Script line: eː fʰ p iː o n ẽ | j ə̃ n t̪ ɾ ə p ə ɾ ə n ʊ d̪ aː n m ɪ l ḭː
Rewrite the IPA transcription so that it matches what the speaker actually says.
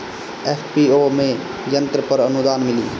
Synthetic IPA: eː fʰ p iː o m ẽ | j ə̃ n t̪ ɾ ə p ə ɾ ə n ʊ d̪ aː n m ɪ l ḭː